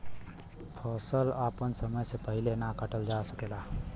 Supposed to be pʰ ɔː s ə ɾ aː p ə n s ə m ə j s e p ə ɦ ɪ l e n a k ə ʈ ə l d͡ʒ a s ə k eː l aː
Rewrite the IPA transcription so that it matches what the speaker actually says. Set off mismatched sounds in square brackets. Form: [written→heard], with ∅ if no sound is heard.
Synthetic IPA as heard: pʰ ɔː s ə [ɾ→l] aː p ə n s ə m ə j s e p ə ɦ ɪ l e n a k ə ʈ ə l d͡ʒ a s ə k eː l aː